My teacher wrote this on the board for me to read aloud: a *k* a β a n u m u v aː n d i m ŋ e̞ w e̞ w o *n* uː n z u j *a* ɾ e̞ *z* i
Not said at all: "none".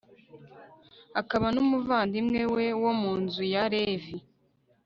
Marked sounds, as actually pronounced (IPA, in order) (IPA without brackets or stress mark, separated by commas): k, m, a, v